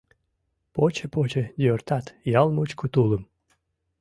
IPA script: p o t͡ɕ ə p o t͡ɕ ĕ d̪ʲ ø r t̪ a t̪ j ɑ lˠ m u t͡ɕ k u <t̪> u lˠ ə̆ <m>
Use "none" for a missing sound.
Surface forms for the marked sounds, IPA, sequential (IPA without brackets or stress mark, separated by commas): t̪, m